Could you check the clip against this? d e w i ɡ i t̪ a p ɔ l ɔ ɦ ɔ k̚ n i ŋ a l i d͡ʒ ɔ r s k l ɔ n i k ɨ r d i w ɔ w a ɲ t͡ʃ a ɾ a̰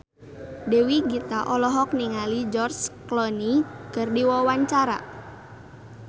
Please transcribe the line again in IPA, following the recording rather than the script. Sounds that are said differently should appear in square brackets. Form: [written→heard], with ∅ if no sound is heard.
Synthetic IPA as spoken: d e w i ɡ i t̪ a [p→ʔ] ɔ l ɔ ɦ ɔ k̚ n i ŋ a l i d͡ʒ ɔ r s k l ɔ n i k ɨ r d i w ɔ w a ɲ t͡ʃ a ɾ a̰